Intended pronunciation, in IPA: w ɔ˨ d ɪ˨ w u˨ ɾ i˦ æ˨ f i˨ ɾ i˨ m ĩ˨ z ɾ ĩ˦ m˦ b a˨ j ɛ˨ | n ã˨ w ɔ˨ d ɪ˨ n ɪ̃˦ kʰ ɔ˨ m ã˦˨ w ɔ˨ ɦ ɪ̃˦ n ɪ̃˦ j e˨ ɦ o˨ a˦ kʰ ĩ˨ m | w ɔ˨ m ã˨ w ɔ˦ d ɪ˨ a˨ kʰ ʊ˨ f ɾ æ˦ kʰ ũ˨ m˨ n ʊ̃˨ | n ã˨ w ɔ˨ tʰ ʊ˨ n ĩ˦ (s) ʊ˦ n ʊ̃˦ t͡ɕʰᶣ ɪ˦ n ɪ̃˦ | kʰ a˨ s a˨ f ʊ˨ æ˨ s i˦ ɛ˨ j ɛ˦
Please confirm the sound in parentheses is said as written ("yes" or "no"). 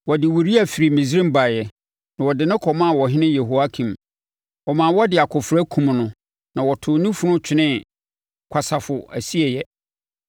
no